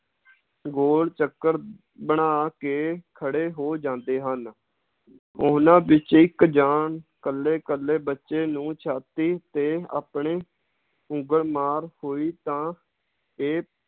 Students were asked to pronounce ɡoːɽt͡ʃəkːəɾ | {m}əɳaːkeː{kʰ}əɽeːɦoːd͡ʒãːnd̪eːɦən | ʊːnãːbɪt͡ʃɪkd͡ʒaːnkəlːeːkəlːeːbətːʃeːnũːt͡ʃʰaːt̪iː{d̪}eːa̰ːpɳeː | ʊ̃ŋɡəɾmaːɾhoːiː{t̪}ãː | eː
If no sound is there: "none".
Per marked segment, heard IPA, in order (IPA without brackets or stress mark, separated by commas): b, kʰ, t̪, t̪